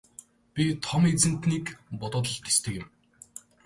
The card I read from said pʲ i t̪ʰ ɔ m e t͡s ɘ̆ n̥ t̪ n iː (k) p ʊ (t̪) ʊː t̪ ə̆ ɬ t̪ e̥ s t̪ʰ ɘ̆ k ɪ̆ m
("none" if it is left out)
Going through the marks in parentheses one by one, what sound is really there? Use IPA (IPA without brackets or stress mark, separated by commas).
k, t̪